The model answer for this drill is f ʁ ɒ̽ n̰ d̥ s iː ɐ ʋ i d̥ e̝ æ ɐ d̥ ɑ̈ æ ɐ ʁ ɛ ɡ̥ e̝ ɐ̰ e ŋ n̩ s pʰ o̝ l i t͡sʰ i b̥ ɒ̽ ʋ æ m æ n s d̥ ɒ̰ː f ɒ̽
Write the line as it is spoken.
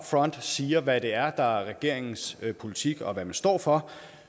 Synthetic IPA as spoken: f ʁ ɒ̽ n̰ d̥ s iː ɐ ʋ æ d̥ e̝ æ ɐ d̥ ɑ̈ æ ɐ ʁ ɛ ɡ̥ e̝ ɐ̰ e ŋ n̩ s pʰ o̝ l i t͡sʰ i ɡ̥ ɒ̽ ʋ æ m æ n s d̥ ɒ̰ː f ɒ̽